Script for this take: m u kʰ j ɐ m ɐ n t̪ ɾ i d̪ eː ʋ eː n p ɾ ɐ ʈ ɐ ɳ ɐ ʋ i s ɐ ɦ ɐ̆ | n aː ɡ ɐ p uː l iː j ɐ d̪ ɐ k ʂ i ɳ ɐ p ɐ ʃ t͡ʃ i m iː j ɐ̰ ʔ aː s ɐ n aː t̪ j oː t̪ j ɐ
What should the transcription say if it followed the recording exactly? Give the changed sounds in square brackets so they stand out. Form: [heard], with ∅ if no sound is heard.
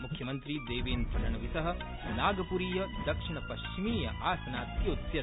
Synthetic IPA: m u kʰ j ɐ m ɐ n t̪ ɾ i d̪ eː ʋ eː n p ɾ ɐ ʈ ɐ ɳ ɐ ʋ i s ɐ ɦ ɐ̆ | n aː ɡ ɐ p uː [ɾ] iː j ɐ d̪ ɐ k ʂ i ɳ ɐ p ɐ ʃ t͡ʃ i m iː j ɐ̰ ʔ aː s ɐ n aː t̪ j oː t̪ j ɐ